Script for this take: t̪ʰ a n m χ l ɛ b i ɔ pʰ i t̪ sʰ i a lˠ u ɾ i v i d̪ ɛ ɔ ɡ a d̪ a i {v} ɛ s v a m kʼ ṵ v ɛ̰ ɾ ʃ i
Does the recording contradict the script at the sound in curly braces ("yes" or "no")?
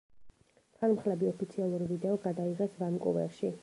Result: yes